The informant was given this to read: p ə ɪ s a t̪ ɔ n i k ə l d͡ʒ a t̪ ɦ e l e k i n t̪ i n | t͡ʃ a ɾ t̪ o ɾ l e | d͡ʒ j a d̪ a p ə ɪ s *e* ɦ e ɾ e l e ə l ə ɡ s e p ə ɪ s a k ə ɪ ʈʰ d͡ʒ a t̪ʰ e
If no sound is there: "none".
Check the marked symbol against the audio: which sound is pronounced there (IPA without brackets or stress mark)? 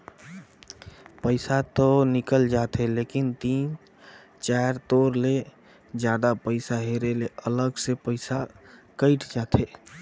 a